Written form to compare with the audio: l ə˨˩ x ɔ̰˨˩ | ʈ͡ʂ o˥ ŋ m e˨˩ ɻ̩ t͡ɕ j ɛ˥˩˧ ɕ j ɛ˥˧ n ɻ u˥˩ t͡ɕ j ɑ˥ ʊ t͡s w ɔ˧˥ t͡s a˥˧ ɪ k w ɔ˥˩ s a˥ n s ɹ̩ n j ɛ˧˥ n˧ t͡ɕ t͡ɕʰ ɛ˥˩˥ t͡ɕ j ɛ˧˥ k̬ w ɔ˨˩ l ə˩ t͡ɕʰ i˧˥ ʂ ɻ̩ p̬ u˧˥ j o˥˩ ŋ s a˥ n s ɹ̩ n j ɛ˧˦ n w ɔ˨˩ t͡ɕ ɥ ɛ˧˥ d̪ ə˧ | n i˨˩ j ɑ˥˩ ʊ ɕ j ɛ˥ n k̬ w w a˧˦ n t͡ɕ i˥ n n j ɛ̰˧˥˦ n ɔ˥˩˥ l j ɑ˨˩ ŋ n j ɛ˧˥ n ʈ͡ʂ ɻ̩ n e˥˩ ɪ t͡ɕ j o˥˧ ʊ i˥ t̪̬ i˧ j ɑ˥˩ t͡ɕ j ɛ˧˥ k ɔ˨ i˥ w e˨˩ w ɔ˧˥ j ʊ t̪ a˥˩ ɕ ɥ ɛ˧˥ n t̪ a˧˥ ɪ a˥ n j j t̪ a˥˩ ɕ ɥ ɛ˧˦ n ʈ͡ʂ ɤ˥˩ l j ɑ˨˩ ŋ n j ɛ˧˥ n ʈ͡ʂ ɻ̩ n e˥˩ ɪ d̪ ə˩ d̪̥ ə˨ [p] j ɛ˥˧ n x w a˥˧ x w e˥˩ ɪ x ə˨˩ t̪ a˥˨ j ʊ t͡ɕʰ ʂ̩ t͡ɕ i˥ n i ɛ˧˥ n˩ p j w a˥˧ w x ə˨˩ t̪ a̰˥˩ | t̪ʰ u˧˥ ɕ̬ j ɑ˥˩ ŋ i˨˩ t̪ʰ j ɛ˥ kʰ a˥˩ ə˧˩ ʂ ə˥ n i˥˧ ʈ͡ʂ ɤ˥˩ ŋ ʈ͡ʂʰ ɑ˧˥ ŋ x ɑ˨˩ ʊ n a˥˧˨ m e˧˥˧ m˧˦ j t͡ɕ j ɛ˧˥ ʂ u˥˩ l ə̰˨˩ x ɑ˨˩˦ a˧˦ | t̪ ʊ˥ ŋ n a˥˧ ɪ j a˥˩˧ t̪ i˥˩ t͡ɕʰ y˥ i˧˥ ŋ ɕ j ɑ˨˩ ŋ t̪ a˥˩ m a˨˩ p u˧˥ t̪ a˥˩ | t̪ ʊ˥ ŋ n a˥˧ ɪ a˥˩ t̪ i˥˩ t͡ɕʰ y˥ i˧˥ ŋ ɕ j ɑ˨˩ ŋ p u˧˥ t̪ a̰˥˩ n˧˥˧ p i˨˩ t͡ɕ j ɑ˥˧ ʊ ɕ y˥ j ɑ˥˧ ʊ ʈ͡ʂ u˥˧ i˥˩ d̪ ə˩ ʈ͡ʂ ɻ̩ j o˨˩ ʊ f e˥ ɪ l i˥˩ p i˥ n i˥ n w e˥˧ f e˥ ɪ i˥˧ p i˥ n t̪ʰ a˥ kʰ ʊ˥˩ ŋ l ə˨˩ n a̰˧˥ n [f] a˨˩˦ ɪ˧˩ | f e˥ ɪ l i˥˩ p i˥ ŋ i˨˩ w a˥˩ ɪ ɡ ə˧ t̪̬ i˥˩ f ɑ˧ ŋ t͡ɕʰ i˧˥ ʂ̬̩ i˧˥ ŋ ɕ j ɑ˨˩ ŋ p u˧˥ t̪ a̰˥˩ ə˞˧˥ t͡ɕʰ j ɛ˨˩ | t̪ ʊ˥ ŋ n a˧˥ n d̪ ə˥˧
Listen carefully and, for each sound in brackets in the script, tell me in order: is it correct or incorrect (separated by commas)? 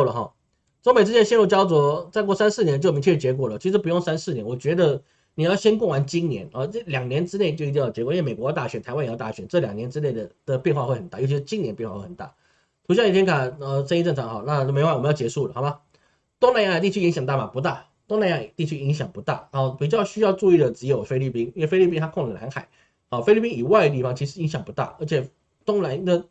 correct, incorrect